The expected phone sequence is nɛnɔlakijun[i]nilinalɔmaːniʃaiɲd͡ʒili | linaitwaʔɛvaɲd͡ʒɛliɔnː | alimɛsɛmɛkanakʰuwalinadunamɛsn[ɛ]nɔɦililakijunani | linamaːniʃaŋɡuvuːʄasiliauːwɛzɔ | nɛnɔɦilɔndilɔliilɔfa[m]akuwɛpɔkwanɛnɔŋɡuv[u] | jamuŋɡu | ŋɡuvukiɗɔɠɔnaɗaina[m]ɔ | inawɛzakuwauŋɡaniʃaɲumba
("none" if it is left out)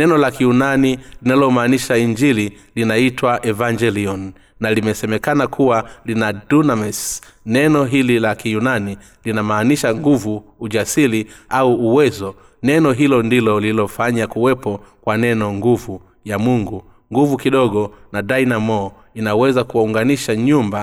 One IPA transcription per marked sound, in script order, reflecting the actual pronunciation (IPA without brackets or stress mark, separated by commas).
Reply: a, ɛ, ɲ, u, m